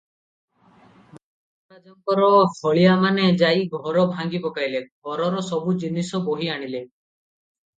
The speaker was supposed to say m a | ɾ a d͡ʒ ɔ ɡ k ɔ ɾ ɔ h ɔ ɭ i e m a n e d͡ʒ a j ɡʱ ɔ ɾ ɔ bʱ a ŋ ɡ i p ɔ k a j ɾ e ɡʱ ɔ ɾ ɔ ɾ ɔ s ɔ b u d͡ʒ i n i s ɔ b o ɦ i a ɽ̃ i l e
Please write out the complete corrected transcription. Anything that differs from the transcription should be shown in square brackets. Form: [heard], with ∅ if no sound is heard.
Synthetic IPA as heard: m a | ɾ a d͡ʒ ɔ [ŋ] k ɔ ɾ ɔ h ɔ ɭ i [a] m a n e d͡ʒ a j ɡʱ ɔ ɾ ɔ bʱ a ŋ ɡ i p ɔ k a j [l] e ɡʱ ɔ ɾ ɔ ɾ ɔ s ɔ b u d͡ʒ i n i s ɔ b o ɦ i a ɽ̃ i l e

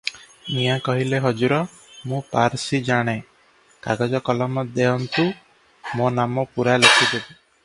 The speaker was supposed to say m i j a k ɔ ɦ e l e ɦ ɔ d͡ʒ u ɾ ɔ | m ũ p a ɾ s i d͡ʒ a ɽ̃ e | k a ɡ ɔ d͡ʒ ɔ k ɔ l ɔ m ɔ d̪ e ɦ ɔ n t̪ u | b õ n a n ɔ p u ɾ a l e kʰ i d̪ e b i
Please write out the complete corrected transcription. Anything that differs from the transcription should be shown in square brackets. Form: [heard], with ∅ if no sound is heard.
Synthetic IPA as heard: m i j a k ɔ ɦ [i] l e ɦ ɔ d͡ʒ u ɾ ɔ | m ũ p a ɾ s i d͡ʒ a ɽ̃ e | k a ɡ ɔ d͡ʒ ɔ k ɔ l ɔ m ɔ d̪ e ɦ ɔ n t̪ u | [m] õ n a [m] ɔ p u ɾ a l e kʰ i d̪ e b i

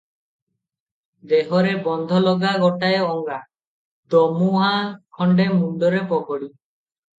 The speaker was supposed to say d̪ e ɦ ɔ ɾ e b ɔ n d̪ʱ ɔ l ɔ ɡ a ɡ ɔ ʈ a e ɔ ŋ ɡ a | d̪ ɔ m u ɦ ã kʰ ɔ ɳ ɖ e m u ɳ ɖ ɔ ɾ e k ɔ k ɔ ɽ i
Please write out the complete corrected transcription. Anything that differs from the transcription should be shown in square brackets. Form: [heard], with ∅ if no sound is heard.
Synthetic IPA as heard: d̪ e ɦ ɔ ɾ e b ɔ n d̪ʱ ɔ l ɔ ɡ a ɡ ɔ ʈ a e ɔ ŋ ɡ a | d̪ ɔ m u ɦ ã kʰ ɔ ɳ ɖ e m u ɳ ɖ ɔ ɾ e [p] ɔ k ɔ ɽ i

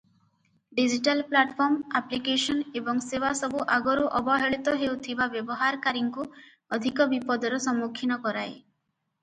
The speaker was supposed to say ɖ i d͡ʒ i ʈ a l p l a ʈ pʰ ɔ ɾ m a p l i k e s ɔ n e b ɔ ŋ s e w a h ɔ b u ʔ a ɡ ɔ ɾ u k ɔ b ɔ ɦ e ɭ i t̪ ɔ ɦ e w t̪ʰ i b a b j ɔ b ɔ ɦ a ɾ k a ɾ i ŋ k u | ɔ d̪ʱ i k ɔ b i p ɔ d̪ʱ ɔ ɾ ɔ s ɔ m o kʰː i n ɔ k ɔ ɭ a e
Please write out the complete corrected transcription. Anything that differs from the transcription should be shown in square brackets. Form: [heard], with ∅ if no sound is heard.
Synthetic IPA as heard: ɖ i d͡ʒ i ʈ a l p l a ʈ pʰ ɔ ɾ m a p l i k e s ɔ n e b ɔ ŋ s e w a [s] ɔ b u ʔ a ɡ ɔ ɾ u [ʔ] ɔ b ɔ ɦ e ɭ i t̪ ɔ ɦ e w t̪ʰ i b a b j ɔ b ɔ ɦ a ɾ k a ɾ i ŋ k u | ɔ d̪ʱ i k ɔ b i p ɔ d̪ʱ ɔ ɾ ɔ s ɔ m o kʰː i n ɔ k ɔ [ɾ] a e

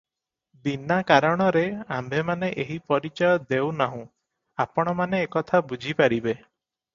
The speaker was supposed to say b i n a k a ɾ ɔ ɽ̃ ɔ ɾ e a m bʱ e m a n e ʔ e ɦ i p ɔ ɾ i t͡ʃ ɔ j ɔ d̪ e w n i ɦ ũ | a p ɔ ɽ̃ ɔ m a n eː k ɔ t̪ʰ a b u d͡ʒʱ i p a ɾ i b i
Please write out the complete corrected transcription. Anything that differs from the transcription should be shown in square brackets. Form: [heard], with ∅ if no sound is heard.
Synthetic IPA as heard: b i n a k a ɾ ɔ ɽ̃ ɔ ɾ e a m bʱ e m a n e ʔ e ɦ i p ɔ ɾ i t͡ʃ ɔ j ɔ d̪ e w n [a] ɦ ũ | a p ɔ ɽ̃ ɔ m a n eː k ɔ t̪ʰ a b u d͡ʒʱ i p a ɾ i b [e]

